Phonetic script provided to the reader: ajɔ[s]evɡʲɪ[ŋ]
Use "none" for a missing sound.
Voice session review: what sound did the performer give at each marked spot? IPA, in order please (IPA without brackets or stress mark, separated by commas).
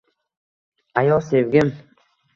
s, m